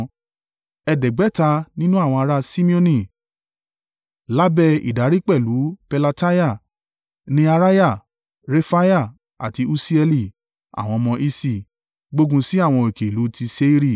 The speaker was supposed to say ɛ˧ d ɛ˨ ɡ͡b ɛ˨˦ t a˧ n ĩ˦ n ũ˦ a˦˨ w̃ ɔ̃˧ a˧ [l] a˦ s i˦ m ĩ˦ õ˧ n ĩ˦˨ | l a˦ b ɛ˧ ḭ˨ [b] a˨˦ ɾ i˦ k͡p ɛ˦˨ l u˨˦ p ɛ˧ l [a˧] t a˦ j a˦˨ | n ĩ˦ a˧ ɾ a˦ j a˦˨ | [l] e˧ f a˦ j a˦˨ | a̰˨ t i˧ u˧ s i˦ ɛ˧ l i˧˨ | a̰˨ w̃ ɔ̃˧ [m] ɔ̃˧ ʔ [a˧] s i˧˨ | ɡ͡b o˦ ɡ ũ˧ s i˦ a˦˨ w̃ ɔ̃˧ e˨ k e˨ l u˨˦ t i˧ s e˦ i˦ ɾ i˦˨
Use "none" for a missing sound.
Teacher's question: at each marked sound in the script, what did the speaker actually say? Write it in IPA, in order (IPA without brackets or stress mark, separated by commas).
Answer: ɾ, d, a˧, ɾ, m, i˧